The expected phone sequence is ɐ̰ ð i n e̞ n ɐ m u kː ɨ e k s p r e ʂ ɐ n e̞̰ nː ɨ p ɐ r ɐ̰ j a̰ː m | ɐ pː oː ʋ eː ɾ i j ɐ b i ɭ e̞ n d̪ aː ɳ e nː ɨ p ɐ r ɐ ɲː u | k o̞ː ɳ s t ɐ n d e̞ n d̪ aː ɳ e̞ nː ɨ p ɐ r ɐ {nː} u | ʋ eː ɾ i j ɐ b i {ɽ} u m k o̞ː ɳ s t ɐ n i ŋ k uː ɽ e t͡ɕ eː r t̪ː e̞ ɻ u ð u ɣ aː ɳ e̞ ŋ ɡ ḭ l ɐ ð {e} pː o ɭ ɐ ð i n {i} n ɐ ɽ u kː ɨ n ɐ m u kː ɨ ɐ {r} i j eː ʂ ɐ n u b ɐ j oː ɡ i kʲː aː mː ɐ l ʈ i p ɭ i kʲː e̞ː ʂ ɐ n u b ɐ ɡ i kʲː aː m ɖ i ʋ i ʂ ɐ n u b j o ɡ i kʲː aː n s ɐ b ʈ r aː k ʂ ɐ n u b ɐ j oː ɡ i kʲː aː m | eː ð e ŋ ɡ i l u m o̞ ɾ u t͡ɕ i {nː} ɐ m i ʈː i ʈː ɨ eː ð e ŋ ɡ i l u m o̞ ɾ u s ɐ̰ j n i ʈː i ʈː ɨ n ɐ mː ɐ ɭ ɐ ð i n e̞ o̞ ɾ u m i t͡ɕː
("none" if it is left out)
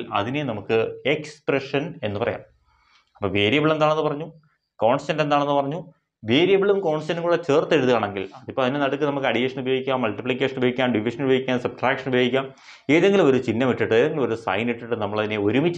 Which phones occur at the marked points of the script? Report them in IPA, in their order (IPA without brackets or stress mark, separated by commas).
ɲː, ɭ, i, e, ɽ, nː